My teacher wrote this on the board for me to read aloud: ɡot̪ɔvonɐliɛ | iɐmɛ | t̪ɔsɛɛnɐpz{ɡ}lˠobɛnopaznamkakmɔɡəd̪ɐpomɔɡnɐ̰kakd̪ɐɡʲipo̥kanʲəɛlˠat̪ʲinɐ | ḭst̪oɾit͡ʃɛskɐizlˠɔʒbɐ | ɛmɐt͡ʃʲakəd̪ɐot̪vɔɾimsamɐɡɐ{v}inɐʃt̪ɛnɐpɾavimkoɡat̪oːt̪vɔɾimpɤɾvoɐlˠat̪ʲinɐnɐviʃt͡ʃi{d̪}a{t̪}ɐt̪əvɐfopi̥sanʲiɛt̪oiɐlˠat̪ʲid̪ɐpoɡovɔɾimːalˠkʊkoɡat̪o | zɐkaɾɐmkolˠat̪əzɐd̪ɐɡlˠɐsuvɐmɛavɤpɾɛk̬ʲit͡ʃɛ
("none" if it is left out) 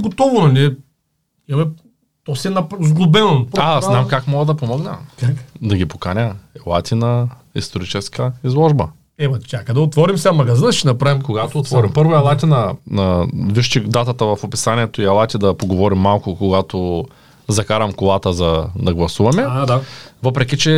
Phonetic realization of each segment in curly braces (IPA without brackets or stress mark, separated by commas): ɡ, z, d̪, t̪